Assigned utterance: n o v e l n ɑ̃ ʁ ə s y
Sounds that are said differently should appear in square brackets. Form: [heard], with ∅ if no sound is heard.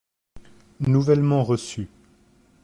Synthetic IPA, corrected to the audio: n [u] v [ɛ] l [m] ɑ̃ ʁ ə s y